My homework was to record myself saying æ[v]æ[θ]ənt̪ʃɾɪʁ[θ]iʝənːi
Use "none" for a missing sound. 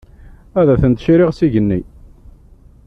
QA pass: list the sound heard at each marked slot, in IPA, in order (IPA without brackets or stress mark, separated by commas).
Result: ð, θ, s